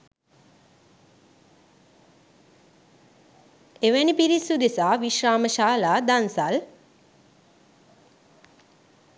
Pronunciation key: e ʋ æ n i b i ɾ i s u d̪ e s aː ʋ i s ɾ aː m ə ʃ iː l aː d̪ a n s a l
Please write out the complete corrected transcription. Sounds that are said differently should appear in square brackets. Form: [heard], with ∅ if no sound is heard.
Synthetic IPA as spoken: e ʋ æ n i [p] i ɾ i s u d̪ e s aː ʋ i [ʃ] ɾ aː m ə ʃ [aː] l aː d̪ a n s a l